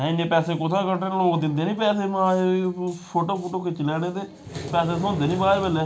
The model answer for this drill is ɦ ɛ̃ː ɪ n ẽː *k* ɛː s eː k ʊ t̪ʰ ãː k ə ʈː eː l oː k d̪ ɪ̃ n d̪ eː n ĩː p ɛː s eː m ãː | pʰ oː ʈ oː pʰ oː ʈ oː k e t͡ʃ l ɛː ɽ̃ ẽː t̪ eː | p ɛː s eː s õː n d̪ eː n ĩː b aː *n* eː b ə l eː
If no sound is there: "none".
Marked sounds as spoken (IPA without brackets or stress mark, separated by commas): p, none